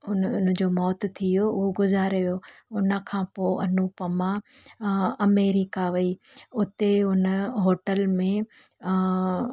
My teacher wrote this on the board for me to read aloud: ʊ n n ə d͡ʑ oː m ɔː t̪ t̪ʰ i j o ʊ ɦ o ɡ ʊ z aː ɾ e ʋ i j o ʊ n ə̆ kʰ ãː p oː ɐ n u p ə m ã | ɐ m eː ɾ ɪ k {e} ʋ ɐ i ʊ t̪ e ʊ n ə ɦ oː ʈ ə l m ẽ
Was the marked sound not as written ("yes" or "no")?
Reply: yes